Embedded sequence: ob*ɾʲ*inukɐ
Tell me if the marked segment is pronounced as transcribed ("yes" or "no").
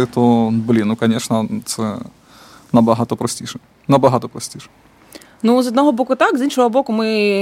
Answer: no